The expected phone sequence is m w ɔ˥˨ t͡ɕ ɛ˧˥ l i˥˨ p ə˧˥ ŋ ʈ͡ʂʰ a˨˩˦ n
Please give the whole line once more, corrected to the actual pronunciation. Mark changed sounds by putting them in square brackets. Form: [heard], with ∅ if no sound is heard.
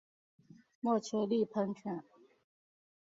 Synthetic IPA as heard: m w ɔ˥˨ [t͡ɕʰ] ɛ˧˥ l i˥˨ [pʰ] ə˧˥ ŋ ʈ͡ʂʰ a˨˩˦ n